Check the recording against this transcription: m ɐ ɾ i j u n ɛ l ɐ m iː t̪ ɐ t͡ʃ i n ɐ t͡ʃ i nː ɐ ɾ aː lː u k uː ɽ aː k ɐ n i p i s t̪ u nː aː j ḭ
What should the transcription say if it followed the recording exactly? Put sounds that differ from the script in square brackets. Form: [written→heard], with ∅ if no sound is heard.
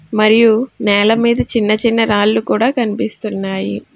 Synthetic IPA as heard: m ɐ ɾ i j u n [ɛ→ɛː] l ɐ m iː [t̪→d̪] ɐ t͡ʃ i [n→nː] ɐ t͡ʃ i nː ɐ ɾ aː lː u k uː ɽ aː k ɐ n i p i s t̪ u nː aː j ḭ

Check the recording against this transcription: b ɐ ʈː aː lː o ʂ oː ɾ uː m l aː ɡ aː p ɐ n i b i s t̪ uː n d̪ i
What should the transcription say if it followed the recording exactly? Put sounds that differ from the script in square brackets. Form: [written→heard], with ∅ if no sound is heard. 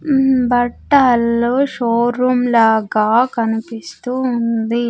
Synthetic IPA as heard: b ɐ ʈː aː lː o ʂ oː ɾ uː m l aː ɡ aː [p→k] ɐ n i [b→p] i s t̪ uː n d̪ i

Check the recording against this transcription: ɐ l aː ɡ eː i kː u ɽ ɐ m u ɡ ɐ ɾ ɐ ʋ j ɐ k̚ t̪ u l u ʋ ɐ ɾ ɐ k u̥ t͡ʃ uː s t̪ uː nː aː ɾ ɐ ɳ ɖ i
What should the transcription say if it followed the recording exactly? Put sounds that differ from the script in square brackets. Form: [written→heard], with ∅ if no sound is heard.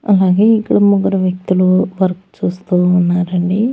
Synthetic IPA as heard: ɐ l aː ɡ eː i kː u ɽ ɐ m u ɡ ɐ ɾ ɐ ʋ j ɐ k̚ t̪ u l u ʋ ɐ ɾ ɐ k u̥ t͡ʃ uː s t̪ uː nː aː ɾ ɐ ɳ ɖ i

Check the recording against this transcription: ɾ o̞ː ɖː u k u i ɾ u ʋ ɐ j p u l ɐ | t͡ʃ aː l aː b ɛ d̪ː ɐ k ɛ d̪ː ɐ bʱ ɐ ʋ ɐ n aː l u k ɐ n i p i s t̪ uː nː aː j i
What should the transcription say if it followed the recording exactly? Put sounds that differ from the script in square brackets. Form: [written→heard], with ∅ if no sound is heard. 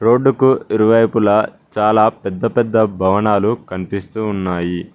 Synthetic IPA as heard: ɾ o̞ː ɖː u k u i ɾ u ʋ ɐ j p u l ɐ | t͡ʃ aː l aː [b→p] ɛ d̪ː ɐ [k→p] ɛ d̪ː ɐ bʱ ɐ ʋ ɐ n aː l u k ɐ n i p i s t̪ uː nː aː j i

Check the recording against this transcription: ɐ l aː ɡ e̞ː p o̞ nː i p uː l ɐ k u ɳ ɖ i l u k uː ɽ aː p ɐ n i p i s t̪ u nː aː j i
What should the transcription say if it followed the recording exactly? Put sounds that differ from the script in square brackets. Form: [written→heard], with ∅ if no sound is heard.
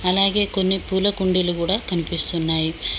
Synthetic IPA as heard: ɐ l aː ɡ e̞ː [p→k] o̞ nː i p uː l ɐ k u ɳ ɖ i l u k uː ɽ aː [p→k] ɐ n i p i s t̪ u nː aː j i

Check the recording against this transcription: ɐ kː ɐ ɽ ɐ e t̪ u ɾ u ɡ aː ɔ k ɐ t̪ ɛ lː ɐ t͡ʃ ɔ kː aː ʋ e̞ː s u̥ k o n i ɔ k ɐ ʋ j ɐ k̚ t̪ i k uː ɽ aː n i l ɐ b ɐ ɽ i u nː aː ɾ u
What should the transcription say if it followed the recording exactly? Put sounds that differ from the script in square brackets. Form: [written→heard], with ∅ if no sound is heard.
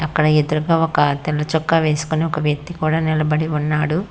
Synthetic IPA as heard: ɐ kː ɐ ɽ ɐ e [t̪→d̪] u ɾ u ɡ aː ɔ k ɐ t̪ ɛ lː ɐ t͡ʃ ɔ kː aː ʋ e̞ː s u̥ k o n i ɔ k ɐ ʋ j ɐ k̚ t̪ i k uː ɽ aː n i l ɐ b ɐ ɽ i u nː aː [ɾ→ɽ] u

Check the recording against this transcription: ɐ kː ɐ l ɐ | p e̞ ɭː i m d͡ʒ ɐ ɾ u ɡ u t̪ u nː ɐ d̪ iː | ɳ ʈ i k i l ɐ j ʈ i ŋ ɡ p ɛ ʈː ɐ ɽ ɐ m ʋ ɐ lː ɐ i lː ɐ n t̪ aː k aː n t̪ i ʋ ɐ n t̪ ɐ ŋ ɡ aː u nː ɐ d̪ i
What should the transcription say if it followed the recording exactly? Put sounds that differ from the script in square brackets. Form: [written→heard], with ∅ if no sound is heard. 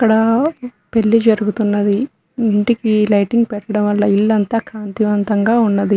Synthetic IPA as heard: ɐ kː ɐ [l→ɽ] ɐ | p e̞ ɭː i [m→∅] d͡ʒ ɐ ɾ u ɡ u t̪ u nː ɐ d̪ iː | ɳ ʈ i k i l ɐ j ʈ i ŋ ɡ p ɛ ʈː ɐ ɽ ɐ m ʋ ɐ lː ɐ i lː ɐ n t̪ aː k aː n t̪ i ʋ ɐ n t̪ ɐ ŋ ɡ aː u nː ɐ d̪ i

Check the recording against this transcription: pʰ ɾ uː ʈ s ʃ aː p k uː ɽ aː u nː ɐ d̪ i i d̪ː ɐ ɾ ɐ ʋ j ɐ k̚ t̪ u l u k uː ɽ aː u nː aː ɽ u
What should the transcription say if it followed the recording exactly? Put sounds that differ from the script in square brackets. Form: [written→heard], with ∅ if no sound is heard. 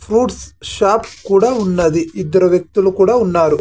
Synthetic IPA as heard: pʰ ɾ uː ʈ s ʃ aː p k uː ɽ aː u nː ɐ d̪ i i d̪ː ɐ ɾ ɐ ʋ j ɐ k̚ t̪ u l u k uː ɽ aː u nː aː [ɽ→ɾ] u

